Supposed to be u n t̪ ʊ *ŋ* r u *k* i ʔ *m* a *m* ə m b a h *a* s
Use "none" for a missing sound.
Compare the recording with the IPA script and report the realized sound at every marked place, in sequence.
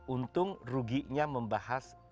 ŋ, ɡ, ɲ, m, a

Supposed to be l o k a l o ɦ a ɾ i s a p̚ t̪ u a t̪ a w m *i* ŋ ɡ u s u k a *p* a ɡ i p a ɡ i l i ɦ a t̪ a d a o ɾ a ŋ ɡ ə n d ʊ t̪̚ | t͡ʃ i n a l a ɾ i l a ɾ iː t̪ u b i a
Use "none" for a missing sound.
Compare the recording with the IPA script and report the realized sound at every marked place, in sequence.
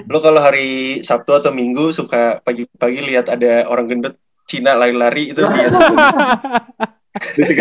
i, p

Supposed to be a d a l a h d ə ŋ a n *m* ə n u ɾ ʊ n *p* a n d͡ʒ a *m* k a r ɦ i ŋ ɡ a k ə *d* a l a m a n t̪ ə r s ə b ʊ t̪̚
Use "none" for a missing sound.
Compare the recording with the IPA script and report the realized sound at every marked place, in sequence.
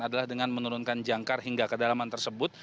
m, k, ŋ, d

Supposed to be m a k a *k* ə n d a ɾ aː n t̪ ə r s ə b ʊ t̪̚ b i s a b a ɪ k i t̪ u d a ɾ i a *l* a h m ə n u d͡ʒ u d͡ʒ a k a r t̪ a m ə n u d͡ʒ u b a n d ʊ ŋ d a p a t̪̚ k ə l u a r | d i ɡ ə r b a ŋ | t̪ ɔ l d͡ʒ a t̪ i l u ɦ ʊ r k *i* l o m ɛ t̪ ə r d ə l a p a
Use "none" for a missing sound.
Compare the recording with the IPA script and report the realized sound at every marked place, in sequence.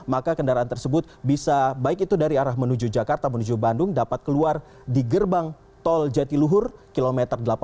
k, ɾ, i

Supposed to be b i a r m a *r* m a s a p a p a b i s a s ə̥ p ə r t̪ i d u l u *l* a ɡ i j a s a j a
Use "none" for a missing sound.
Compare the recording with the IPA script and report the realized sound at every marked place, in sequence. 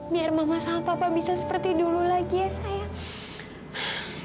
none, l

